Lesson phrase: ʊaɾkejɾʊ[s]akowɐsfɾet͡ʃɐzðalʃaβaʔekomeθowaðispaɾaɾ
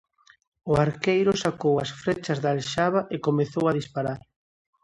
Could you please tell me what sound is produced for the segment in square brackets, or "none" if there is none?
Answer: s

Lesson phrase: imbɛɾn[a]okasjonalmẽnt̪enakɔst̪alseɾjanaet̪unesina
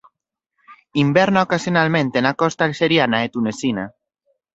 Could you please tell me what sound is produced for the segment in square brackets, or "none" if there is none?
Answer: a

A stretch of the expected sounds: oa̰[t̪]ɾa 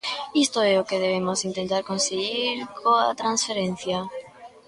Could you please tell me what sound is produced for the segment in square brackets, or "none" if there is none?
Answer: t̪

